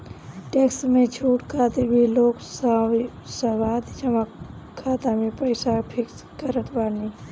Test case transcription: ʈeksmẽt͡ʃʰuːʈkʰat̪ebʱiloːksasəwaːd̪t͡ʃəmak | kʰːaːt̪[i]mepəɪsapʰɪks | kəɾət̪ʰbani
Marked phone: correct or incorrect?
incorrect